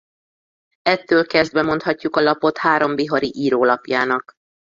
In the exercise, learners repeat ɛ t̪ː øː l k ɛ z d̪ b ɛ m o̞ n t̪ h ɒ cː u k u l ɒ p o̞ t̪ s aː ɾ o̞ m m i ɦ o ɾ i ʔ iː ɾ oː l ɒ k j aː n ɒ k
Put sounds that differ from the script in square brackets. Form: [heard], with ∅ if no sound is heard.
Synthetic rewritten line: ɛ t̪ː øː l k ɛ z d̪ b ɛ m o̞ n t̪ h ɒ cː u k [ɒ] l ɒ p o̞ t̪ [h] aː ɾ o̞ m [b] i ɦ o ɾ i ʔ iː ɾ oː l ɒ [p] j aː n ɒ k